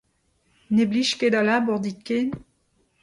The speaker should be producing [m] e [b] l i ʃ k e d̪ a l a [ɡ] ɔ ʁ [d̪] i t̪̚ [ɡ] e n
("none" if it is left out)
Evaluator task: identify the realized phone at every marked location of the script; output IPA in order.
n, b, b, d̪, k

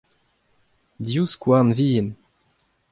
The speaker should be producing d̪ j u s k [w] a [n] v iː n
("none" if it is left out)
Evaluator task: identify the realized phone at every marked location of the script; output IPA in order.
w, n

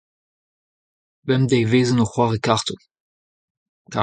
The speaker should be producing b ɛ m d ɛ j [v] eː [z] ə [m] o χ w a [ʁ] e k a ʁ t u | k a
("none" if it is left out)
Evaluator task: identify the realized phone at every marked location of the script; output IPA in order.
v, z, n, ʁ

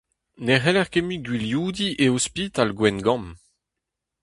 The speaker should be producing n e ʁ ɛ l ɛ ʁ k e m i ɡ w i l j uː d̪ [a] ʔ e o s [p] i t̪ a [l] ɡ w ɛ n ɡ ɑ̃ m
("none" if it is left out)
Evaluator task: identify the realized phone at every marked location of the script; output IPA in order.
i, p, l

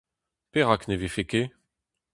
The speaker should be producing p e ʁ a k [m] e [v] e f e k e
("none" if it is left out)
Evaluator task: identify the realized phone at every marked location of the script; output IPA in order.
n, v

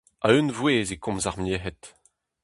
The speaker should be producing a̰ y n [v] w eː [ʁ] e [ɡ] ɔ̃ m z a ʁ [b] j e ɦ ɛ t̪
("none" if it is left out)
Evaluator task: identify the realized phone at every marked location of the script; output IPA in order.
v, z, k, m

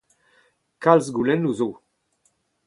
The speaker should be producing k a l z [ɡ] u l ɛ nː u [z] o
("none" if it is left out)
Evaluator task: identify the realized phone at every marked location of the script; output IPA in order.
ɡ, z

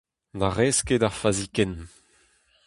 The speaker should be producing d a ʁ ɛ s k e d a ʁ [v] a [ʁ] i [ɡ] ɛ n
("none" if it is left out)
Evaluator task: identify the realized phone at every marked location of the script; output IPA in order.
f, z, k

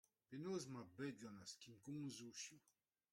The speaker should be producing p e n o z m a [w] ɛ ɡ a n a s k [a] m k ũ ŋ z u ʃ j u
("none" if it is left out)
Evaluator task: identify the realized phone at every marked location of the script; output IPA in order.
b, i

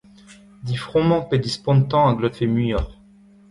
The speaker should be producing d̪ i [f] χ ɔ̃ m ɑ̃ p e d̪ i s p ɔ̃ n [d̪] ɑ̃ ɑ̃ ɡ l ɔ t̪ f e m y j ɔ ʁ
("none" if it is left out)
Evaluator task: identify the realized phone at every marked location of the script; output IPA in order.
f, t̪

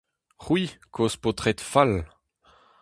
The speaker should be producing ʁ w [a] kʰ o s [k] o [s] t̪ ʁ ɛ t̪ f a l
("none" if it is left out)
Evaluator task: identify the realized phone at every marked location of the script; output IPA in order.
i, p, none

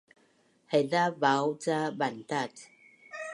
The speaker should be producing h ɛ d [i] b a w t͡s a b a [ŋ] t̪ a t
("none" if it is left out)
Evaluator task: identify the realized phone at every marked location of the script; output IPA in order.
a, n

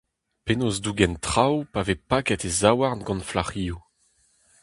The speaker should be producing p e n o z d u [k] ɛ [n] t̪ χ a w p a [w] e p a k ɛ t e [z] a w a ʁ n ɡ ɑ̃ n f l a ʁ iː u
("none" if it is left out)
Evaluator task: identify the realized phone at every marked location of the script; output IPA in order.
ɡ, n, v, z

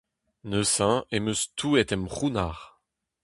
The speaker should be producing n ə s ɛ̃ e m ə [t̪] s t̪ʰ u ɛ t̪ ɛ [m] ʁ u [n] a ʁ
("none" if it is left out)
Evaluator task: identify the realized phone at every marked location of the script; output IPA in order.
none, m, n

